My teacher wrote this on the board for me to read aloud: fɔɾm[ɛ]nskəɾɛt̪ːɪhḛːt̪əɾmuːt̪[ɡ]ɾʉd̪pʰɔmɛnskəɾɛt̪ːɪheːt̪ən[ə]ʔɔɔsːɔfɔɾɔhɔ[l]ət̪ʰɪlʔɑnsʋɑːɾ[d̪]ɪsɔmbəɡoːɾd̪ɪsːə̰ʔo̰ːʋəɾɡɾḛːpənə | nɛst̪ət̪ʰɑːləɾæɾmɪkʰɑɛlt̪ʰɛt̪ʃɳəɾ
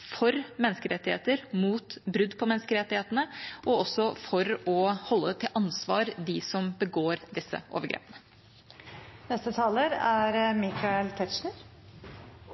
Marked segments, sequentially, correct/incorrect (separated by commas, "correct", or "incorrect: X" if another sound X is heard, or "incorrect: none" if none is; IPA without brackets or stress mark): correct, incorrect: b, correct, incorrect: lː, correct